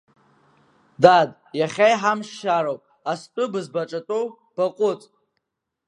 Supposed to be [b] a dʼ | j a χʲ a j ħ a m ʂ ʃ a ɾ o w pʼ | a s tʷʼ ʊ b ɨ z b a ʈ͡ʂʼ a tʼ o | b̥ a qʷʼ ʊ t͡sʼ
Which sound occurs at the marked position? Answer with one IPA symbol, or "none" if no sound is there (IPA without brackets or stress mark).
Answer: d